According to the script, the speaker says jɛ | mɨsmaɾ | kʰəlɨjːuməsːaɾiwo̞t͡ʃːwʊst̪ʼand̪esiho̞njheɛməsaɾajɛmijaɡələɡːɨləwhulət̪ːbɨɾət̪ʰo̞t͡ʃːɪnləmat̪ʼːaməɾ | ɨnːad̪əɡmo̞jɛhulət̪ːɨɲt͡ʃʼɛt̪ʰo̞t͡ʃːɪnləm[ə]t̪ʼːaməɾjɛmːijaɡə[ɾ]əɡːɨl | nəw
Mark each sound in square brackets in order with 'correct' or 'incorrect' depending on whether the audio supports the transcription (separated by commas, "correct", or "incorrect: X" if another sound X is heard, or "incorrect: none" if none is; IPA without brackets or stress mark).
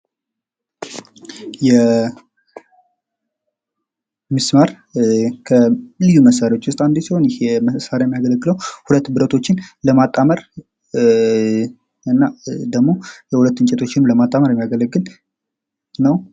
incorrect: a, incorrect: l